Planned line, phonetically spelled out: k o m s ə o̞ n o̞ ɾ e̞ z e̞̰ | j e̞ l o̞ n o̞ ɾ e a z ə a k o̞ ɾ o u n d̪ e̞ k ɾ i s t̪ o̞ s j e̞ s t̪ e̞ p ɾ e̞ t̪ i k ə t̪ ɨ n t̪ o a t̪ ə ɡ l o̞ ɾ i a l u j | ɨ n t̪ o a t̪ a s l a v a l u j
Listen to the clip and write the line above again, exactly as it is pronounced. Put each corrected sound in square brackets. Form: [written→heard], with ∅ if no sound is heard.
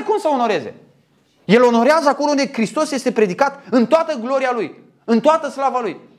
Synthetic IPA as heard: k [o→u] m s ə o̞ n o̞ ɾ e̞ z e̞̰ | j e̞ l o̞ n o̞ ɾ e a z ə a k o̞ [ɾ→l] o u n d̪ e̞ k ɾ i s t̪ o̞ s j e̞ s t̪ e̞ p ɾ e̞ [t̪→d̪] i k [ə→a] t̪ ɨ n t̪ o a t̪ ə ɡ l o̞ ɾ i a l u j | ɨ n t̪ o a t̪ [a→ə] s l a v a l u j